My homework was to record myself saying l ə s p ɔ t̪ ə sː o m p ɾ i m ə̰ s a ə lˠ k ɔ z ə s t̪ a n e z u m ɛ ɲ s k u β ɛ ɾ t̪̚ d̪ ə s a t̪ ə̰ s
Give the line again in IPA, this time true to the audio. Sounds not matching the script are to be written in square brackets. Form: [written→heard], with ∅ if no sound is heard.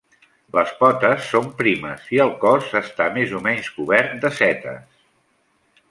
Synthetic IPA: l ə s p ɔ t̪ ə sː o m p ɾ i m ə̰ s [a→i] ə lˠ k ɔ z ə s t̪ a [n→m] e z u m ɛ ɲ s k u β ɛ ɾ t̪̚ d̪ ə s [a→ɛ] t̪ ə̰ s